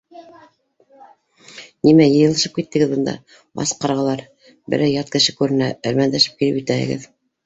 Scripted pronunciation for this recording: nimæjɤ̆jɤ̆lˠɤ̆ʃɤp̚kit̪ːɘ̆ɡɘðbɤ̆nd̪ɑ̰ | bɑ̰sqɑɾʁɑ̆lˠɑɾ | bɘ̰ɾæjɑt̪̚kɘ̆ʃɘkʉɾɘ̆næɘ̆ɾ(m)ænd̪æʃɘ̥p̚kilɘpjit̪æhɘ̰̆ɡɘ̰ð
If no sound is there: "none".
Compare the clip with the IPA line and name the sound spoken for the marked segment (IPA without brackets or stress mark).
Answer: m